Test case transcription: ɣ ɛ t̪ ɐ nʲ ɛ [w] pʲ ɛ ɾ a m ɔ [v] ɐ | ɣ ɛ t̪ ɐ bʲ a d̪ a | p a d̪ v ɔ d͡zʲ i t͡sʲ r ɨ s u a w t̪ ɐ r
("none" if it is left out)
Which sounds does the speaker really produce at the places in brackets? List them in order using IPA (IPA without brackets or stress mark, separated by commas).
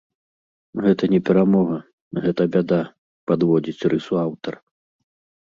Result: none, ɣ